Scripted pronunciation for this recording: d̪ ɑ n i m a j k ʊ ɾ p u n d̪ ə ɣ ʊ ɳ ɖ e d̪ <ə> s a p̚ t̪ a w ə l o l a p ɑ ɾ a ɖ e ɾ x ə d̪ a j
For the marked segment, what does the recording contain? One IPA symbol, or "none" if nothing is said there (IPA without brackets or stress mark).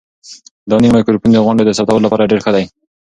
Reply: ə